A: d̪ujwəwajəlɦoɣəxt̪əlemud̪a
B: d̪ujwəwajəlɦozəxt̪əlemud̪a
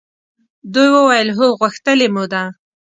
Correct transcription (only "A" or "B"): A